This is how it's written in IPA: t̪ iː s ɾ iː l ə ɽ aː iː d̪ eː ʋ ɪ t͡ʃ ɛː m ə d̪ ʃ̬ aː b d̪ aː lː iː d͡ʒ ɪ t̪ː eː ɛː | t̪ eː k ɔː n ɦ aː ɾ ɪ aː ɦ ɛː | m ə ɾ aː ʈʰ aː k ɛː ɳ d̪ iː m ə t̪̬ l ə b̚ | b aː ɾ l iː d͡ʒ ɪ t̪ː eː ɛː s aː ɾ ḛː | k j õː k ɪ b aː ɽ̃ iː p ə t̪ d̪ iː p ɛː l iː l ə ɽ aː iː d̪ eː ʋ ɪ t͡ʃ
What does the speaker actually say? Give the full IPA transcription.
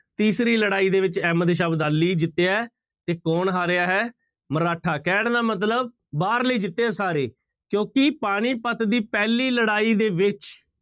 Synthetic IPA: t̪ iː s ɾ iː l ə ɽ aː iː d̪ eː ʋ ɪ t͡ʃ ɛː m ə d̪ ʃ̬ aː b d̪ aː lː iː d͡ʒ ɪ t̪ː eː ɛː | t̪ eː k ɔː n ɦ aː ɾ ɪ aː ɦ ɛː | m ə ɾ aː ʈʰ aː k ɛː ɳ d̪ aː m ə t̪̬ l ə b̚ | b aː ɾ l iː d͡ʒ ɪ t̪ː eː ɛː s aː ɾ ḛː | k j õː k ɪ p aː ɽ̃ iː p ə t̪ d̪ iː p ɛː l iː l ə ɽ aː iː d̪ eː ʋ ɪ t͡ʃ